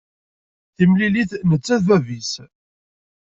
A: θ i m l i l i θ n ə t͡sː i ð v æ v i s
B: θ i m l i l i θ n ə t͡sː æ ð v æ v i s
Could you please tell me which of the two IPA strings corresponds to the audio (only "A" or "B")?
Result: B